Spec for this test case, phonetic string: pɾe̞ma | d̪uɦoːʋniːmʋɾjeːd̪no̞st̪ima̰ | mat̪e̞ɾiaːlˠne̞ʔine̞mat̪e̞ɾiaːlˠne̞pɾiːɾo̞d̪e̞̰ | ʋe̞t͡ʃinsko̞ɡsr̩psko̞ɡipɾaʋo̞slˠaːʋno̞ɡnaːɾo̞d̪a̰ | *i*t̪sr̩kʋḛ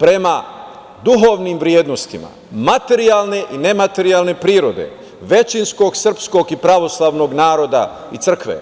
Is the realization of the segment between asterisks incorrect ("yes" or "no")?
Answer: no